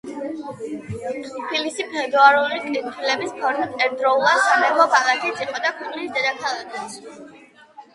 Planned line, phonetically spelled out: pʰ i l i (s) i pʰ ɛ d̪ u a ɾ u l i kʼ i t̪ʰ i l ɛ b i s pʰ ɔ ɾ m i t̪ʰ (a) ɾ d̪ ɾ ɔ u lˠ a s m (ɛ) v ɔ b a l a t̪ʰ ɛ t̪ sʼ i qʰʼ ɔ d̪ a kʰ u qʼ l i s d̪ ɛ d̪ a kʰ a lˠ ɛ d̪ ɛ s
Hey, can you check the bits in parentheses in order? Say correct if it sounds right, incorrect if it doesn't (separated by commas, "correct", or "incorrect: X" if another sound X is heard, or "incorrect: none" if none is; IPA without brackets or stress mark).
correct, incorrect: ɛ, correct